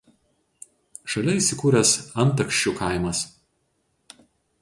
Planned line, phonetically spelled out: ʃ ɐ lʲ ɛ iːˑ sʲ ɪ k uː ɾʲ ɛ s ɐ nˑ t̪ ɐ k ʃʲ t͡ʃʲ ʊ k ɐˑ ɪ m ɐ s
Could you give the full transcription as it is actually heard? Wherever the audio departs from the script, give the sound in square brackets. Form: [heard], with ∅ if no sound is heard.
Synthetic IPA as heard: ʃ ɐ lʲ ɛ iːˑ sʲ ɪ k uː ɾʲ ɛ s ɐ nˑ t̪ ɐ k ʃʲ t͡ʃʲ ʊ k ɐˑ ɪ m ɐ s